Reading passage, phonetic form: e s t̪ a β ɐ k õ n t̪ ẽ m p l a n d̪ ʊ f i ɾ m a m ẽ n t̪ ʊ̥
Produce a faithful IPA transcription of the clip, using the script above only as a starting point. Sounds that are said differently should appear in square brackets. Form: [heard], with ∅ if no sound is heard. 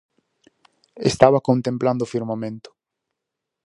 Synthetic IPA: e s t̪ a β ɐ k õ n t̪ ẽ m p l a n d̪ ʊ f i ɾ m a m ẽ n t̪ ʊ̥